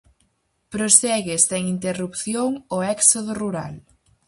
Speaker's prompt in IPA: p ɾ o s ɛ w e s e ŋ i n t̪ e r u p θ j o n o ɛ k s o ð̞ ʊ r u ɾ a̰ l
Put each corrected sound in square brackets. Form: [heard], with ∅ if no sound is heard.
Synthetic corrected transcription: p ɾ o s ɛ [ɣ] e s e ŋ i n t̪ e r u p θ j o [ŋ] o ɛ k s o ð̞ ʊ r u ɾ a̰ l

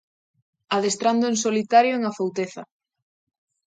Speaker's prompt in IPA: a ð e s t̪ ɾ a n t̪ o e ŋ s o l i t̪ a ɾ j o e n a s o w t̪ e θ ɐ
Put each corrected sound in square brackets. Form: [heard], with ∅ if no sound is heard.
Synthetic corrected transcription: a ð e s t̪ ɾ a n [d̪] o e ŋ s o l i t̪ a ɾ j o e [ŋ] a [f] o w t̪ e θ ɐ

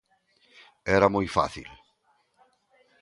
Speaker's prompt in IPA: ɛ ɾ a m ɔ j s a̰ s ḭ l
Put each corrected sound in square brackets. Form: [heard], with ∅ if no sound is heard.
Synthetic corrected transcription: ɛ ɾ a m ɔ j [f] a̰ [θ] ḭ l

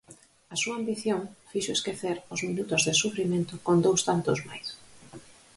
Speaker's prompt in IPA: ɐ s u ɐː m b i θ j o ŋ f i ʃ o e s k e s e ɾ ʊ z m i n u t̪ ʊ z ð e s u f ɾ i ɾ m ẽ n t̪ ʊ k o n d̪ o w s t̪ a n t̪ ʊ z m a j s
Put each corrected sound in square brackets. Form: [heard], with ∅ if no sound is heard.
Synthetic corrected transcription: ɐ s u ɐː m b i θ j o ŋ f i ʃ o e s k e [θ] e ɾ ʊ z m i n u t̪ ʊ z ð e s u f ɾ i [∅] m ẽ n t̪ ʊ k o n d̪ o w s t̪ a n t̪ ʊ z m a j s

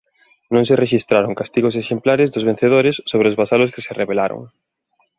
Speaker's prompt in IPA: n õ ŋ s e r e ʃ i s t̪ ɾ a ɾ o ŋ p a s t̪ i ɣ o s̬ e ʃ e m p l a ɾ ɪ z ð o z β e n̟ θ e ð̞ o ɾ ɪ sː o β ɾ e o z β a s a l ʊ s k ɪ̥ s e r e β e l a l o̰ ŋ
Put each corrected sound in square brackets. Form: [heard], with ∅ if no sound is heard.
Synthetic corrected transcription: n õ ŋ s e r e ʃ i s t̪ ɾ a ɾ o ŋ [k] a s t̪ i ɣ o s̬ e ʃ e m p l a ɾ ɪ z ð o z β e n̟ θ e ð̞ o ɾ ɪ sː o β ɾ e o z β a s a l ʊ s k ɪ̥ s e r e β e l a [ɾ] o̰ ŋ

